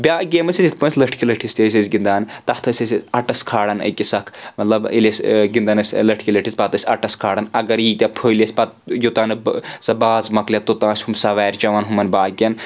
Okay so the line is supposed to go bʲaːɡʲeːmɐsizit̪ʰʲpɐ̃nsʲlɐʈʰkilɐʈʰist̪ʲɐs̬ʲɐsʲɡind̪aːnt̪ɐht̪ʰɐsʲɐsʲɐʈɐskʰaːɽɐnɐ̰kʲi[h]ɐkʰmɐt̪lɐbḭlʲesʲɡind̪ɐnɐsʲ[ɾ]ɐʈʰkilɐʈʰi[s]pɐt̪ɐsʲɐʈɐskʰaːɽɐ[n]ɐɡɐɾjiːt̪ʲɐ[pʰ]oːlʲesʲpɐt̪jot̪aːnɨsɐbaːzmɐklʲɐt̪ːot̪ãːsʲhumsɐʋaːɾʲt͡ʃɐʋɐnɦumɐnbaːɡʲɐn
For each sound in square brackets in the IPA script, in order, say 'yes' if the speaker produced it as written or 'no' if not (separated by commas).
no, no, yes, yes, yes